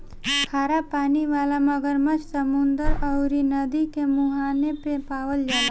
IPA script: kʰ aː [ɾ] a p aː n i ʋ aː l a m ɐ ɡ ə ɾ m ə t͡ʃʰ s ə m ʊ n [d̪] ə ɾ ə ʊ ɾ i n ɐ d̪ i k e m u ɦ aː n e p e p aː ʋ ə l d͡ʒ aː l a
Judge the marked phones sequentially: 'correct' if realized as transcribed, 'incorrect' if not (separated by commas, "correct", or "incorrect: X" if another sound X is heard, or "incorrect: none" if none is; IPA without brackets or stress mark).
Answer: correct, correct